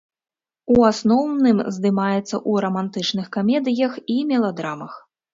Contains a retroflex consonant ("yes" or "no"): yes